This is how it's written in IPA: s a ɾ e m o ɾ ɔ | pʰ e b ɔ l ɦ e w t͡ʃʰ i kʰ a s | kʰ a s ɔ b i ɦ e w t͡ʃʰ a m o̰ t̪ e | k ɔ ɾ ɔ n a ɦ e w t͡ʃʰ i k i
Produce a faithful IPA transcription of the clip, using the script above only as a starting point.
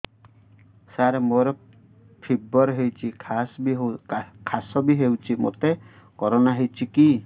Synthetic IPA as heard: s a ɾ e m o ɾ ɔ | pʰ i b ɔ ɾ ɦ e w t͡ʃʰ i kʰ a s | kʰ a s ɔ b i ɦ e w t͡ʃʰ i m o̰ t̪ e | k ɔ ɾ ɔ n a ɦ e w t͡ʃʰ i k i